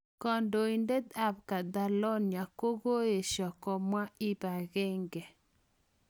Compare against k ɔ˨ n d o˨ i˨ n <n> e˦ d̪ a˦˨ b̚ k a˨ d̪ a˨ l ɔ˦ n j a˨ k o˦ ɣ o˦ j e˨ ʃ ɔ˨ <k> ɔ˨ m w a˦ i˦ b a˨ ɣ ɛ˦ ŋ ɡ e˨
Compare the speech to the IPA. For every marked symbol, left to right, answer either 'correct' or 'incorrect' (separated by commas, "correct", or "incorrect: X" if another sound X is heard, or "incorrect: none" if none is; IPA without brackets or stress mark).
incorrect: d, correct